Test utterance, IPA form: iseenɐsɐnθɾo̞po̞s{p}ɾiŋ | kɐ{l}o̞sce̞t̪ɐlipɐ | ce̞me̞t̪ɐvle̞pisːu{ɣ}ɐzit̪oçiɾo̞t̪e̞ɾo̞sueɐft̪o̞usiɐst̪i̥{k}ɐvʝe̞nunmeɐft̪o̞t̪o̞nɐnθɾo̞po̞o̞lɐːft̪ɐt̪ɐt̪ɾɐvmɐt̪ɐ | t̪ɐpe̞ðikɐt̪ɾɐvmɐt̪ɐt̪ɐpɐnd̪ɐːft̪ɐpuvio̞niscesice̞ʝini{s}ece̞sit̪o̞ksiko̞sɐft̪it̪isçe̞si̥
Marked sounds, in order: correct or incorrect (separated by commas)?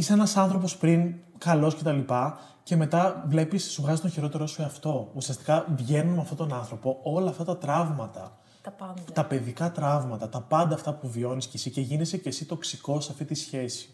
correct, correct, correct, correct, correct